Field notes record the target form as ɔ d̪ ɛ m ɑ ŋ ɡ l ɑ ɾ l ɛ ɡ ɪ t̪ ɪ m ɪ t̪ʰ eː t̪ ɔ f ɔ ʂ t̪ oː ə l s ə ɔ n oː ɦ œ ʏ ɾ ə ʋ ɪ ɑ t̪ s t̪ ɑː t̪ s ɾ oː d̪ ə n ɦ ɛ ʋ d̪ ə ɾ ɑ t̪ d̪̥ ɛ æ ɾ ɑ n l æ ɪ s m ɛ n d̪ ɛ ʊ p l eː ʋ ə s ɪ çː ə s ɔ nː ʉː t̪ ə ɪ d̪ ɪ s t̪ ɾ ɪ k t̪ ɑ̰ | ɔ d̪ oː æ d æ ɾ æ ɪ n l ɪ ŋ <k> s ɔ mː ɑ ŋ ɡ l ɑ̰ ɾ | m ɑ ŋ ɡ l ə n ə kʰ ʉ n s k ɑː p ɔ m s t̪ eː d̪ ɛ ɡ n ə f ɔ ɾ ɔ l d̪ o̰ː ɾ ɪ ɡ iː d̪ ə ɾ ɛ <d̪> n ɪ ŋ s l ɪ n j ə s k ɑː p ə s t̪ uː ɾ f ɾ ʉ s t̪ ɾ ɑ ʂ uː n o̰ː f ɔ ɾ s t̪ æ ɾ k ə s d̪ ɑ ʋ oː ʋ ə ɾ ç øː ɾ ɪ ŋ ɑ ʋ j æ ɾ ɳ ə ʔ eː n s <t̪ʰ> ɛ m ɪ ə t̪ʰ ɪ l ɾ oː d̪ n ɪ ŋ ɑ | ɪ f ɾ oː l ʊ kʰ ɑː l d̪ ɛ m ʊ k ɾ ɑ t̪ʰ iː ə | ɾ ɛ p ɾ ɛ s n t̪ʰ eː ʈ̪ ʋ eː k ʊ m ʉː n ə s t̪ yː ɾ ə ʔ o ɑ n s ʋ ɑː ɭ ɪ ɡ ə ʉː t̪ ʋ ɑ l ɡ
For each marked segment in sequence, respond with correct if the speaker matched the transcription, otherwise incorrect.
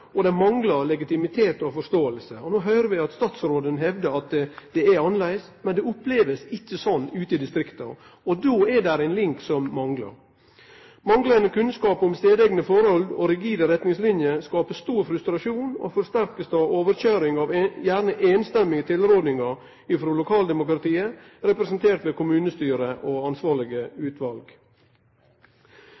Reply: correct, incorrect, incorrect

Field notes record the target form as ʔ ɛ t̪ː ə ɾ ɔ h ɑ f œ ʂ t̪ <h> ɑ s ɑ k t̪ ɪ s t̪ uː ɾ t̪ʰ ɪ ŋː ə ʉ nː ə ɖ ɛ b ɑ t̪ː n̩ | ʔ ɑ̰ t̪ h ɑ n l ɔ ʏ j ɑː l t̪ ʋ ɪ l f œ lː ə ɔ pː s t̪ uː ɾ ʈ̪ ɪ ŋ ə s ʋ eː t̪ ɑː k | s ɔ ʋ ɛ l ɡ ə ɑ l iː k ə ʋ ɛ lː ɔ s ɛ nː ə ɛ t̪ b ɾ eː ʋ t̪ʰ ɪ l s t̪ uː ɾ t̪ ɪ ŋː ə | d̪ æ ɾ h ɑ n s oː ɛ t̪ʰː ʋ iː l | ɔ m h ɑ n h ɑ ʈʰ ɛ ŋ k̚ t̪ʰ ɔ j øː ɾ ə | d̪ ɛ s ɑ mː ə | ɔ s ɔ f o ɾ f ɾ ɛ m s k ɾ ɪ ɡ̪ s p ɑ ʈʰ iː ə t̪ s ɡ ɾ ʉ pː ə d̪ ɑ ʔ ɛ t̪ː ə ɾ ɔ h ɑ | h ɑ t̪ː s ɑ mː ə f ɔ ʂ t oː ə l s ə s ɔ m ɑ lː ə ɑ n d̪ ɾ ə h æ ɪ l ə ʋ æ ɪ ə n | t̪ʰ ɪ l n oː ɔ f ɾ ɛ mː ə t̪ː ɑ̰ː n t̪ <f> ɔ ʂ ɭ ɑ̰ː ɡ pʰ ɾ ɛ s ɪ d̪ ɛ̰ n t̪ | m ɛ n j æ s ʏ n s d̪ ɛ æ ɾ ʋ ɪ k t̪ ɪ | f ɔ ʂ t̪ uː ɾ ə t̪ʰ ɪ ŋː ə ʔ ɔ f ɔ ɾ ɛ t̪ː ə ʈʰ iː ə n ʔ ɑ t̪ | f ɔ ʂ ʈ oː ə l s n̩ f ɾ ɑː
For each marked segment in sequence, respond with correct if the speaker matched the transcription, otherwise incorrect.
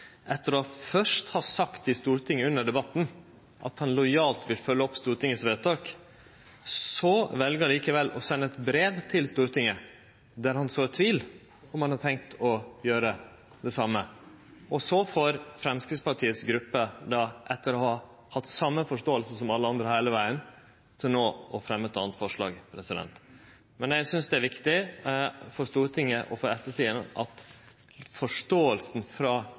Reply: correct, correct

